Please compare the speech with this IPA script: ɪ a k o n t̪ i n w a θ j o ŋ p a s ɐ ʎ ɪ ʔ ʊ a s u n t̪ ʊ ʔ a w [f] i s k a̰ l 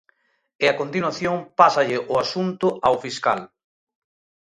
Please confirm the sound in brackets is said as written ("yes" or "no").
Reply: yes